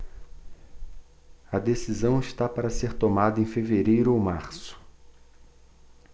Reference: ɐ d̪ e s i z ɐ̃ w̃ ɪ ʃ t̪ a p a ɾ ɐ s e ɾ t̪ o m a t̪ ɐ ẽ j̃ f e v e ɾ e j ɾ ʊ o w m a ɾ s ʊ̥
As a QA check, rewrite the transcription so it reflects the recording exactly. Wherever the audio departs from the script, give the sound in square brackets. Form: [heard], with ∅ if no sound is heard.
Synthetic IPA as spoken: ɐ d̪ e s i z ɐ̃ w̃ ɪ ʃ t̪ a p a ɾ ɐ s e ɾ t̪ o m a [d̪] ɐ ẽ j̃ f e v e ɾ e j ɾ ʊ o w m a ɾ s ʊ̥